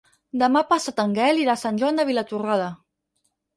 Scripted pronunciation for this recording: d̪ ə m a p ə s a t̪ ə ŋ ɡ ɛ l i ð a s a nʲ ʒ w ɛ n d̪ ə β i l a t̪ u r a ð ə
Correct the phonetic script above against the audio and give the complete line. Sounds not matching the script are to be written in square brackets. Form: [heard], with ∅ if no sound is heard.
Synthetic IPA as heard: d̪ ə m a p [a] s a t̪ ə ŋ ɡ ɛ l i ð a s a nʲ ʒ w [a] n d̪ ə β i l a t̪ u r a ð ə